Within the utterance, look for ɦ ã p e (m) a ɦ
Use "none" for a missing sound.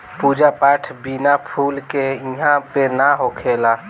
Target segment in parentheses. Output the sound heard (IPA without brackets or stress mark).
n